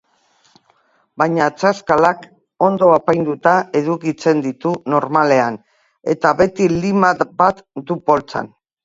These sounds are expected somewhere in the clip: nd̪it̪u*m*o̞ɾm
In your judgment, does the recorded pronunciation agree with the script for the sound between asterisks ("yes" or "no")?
no